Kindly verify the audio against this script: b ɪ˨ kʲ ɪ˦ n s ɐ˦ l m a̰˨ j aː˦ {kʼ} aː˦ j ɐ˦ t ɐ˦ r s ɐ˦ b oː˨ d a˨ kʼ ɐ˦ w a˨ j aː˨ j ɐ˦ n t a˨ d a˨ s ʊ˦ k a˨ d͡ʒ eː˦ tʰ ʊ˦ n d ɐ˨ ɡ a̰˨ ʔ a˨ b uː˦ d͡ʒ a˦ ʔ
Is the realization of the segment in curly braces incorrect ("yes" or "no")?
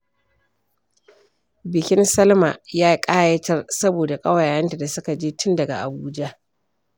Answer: no